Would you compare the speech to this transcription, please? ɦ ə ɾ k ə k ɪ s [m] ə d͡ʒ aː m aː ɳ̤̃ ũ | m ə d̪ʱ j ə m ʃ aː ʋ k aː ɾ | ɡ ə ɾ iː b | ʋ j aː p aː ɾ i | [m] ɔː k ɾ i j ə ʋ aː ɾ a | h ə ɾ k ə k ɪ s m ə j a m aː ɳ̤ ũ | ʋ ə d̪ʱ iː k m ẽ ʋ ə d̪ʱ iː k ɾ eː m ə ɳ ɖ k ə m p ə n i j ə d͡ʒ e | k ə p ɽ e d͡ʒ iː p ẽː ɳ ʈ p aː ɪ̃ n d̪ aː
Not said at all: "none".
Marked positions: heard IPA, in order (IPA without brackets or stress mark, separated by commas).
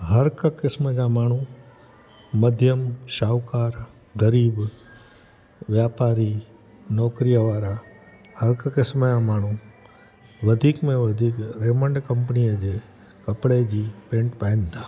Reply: m, n